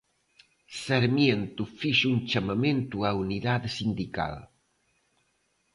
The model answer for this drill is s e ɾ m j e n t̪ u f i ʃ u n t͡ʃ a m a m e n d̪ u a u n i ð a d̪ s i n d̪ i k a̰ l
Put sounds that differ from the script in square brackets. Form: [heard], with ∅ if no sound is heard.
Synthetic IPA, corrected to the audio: s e ɾ m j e n t̪ u f i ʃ u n t͡ʃ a m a m e n [t̪] u a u n i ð a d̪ s i n d̪ i k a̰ l